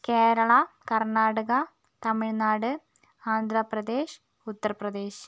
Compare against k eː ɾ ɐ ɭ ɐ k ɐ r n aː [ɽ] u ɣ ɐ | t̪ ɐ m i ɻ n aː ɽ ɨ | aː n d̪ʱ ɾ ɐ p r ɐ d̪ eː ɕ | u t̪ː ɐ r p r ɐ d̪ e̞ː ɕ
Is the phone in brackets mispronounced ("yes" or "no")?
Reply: no